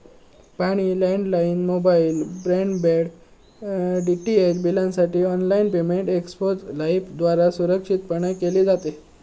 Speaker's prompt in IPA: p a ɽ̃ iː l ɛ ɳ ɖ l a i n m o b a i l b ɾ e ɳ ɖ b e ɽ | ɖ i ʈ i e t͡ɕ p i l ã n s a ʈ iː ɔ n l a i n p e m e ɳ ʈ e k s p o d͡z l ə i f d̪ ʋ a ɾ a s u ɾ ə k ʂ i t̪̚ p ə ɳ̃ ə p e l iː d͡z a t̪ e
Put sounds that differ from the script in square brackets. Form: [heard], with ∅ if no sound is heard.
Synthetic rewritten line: p a ɽ̃ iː l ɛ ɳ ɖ l a i n m o b a i l b ɾ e ɳ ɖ b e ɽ | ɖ i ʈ i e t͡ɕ [b] i l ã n s a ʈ iː ɔ n l a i n p e m e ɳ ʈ e k s p o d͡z l [a] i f d̪ ʋ a ɾ a s u ɾ ə k ʂ i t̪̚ p ə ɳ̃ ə [k] e l iː d͡z a t̪ e